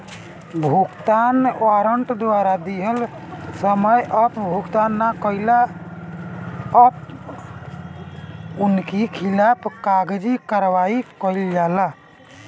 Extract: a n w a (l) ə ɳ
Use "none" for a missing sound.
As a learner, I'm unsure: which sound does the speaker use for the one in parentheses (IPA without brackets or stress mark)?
ɾ